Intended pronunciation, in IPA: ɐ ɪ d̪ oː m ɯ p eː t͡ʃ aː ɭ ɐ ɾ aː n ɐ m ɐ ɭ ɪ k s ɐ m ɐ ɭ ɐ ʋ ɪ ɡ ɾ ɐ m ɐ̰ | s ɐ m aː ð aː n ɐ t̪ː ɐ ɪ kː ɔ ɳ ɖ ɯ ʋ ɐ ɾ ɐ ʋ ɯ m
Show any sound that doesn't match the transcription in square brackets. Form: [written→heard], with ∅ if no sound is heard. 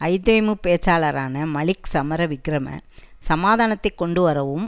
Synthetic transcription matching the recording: ɐ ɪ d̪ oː m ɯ p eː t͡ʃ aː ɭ ɐ ɾ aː n ɐ m ɐ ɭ ɪ k s ɐ m ɐ [ɭ→ɾ] ɐ ʋ ɪ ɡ ɾ ɐ m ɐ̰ | s ɐ m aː ð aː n ɐ t̪ː ɐ ɪ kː ɔ ɳ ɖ ɯ ʋ ɐ ɾ ɐ ʋ ɯ m